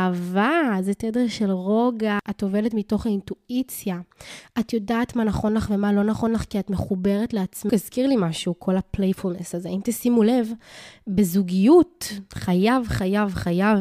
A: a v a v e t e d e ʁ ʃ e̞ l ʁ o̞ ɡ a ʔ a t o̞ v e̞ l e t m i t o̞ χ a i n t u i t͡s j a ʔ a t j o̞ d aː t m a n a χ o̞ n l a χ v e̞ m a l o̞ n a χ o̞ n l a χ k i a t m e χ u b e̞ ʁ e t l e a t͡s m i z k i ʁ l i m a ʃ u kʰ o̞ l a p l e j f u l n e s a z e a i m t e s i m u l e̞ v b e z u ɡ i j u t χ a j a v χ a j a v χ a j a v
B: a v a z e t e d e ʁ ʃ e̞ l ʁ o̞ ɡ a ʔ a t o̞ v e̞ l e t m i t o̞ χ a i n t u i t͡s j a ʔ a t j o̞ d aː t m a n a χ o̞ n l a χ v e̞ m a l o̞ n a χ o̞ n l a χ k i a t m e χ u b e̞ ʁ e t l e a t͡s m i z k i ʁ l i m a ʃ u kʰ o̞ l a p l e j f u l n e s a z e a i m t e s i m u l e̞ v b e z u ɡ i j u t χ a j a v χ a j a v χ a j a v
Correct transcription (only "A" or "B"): B